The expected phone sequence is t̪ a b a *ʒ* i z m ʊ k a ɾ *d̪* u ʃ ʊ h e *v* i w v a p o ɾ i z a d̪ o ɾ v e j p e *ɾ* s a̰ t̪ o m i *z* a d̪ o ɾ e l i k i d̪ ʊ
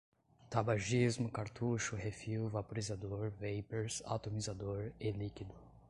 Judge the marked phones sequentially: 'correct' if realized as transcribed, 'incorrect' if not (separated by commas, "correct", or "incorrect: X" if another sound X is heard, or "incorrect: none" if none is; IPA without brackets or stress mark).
correct, incorrect: t̪, incorrect: f, correct, correct